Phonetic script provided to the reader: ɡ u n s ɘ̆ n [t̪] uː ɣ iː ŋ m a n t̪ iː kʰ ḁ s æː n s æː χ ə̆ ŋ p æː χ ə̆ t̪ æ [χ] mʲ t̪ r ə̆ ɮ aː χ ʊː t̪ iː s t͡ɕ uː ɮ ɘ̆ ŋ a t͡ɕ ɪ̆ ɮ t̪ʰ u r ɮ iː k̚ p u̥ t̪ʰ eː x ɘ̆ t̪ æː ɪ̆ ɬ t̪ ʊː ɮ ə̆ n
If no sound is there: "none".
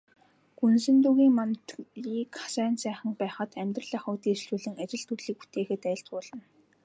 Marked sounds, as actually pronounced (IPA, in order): t̪, none

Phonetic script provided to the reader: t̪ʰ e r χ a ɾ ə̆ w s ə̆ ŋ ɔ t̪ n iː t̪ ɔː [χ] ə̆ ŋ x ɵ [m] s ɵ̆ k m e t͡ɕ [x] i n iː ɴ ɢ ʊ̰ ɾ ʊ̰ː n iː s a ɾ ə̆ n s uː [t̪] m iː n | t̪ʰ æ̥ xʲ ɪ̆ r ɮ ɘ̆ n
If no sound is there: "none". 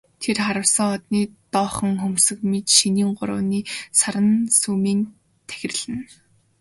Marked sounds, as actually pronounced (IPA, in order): χ, m, ʃ, none

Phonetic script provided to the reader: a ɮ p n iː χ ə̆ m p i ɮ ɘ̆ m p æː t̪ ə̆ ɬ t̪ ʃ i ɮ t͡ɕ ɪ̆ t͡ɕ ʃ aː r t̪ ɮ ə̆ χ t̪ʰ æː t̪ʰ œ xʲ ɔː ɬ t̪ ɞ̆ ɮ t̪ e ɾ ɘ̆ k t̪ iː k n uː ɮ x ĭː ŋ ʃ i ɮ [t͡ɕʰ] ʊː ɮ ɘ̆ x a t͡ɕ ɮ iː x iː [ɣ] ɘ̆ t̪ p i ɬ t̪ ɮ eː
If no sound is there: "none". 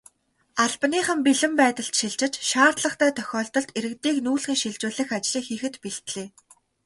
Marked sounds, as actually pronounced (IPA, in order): t͡ɕ, x

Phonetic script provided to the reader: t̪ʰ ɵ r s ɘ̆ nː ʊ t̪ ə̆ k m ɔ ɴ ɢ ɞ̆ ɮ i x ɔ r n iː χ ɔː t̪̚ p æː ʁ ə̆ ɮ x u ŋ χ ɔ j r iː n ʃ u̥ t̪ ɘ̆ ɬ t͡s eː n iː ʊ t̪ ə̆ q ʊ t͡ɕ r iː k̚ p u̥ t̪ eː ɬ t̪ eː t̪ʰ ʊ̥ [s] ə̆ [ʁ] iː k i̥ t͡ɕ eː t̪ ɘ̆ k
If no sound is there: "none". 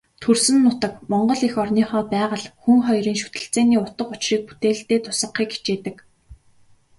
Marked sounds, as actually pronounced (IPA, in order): s, χ

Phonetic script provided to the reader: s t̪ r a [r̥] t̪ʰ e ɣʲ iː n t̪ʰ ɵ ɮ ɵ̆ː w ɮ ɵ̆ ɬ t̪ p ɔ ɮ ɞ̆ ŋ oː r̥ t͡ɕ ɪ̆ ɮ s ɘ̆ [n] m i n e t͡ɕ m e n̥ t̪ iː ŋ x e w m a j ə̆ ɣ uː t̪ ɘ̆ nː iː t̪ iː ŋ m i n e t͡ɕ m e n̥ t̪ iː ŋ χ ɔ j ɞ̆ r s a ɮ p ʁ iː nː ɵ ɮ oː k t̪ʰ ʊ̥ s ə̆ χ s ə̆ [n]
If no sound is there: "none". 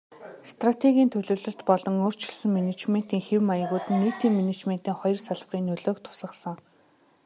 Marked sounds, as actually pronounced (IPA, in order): none, ŋ, ŋ

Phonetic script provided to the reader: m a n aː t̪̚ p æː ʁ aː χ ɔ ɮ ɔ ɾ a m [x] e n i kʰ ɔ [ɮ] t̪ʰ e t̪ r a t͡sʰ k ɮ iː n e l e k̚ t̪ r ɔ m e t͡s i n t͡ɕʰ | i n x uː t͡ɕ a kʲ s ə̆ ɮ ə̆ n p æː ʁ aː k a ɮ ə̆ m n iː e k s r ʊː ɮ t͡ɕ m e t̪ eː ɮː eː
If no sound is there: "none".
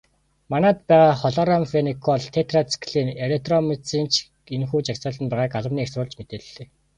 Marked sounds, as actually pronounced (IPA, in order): f, ɮ

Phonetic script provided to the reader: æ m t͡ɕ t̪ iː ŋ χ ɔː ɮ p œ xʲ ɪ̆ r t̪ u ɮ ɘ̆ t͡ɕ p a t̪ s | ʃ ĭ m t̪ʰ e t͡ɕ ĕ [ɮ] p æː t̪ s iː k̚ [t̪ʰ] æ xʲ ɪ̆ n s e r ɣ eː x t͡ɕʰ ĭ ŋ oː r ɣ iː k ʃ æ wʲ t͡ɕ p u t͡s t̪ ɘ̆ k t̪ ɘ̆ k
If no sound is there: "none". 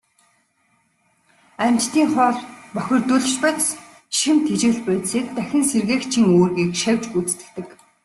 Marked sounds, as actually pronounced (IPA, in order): ɮ, t̪

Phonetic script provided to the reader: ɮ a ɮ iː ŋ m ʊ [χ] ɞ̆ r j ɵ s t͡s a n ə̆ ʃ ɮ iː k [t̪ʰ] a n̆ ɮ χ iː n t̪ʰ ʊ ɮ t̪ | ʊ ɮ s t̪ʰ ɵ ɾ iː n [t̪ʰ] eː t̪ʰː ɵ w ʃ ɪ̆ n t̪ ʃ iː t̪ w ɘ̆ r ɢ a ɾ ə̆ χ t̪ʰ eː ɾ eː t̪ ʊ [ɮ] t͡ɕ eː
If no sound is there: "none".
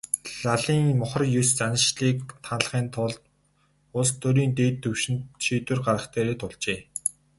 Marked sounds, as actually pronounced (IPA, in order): χ, t̪ʰ, t̪, ɮ

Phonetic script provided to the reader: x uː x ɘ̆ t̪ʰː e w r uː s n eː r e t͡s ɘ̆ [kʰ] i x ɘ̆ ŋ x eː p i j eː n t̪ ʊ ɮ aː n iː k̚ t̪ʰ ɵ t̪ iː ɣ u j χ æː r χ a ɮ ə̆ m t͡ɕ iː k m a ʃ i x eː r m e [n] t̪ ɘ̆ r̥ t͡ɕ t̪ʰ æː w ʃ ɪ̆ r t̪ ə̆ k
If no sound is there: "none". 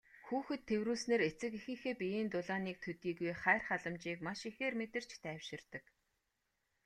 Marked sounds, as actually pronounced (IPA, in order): k, none

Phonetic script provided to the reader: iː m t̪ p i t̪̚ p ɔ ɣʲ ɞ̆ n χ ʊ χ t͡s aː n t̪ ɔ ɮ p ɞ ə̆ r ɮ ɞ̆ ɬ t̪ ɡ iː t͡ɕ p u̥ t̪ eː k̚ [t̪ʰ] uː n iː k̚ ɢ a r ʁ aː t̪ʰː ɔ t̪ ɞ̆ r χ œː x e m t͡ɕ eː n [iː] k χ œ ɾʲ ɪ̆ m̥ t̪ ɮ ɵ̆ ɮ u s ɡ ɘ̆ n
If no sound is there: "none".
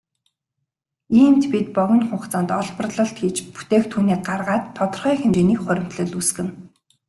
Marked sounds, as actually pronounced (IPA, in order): t̪ʰ, iː

